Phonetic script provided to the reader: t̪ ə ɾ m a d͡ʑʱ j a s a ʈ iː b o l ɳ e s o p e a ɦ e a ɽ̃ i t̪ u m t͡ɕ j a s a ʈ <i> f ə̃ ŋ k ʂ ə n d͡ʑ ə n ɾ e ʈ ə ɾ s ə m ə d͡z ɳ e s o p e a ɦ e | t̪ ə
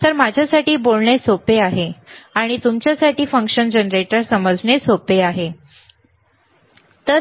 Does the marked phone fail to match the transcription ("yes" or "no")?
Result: yes